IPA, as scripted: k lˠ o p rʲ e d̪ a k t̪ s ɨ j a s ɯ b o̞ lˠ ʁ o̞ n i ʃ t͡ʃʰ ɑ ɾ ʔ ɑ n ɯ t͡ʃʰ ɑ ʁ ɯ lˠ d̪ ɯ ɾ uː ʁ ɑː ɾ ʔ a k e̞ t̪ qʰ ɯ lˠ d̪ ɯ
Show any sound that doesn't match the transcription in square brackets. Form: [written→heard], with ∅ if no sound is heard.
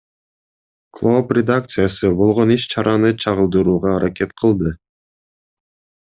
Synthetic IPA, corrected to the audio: k lˠ o p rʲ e d̪ a k t̪ s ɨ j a s ɯ b o̞ lˠ ʁ o̞ n i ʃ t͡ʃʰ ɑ ɾ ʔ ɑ n ɯ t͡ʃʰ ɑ ʁ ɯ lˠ d̪ ɯ ɾ uː ʁ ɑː ɾ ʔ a k e̞ t̪ qʰ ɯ lˠ d̪ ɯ